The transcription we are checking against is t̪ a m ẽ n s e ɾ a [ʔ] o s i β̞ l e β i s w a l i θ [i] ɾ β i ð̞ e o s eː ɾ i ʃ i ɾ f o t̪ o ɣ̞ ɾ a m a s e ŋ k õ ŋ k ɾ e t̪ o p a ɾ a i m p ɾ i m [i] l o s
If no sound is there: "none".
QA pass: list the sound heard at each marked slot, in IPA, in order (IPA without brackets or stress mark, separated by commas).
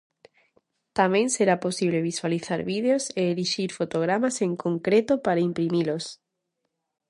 p, a, i